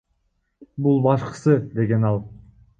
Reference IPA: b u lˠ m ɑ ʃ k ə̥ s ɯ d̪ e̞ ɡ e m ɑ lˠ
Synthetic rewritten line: b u lˠ b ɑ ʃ q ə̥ s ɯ d̪ e̞ ɡ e n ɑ lˠ